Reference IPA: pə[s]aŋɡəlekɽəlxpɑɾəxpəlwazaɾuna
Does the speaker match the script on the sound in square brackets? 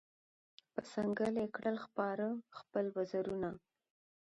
yes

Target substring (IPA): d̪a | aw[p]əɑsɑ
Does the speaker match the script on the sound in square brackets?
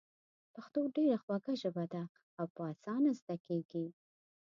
yes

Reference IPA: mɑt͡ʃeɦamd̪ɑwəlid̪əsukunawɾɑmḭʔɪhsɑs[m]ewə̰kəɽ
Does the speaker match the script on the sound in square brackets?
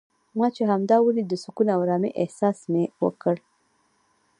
yes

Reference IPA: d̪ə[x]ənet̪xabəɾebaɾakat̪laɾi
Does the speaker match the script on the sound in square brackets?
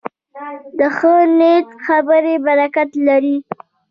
yes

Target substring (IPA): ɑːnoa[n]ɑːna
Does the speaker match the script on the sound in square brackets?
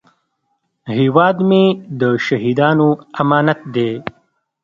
no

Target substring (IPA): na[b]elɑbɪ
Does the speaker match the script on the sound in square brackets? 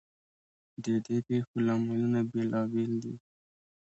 yes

